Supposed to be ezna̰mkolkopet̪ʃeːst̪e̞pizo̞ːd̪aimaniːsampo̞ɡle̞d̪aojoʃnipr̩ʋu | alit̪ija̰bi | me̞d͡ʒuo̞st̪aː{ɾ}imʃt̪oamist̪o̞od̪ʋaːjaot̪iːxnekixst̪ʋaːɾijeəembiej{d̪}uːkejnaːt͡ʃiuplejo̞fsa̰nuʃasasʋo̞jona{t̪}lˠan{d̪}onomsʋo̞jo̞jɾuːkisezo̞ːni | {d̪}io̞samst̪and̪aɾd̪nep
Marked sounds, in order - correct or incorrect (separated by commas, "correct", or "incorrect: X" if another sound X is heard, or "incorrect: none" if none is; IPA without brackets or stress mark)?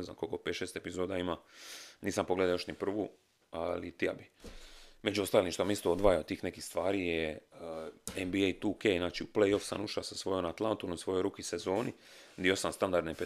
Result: incorrect: l, incorrect: t̪, correct, incorrect: t̪, correct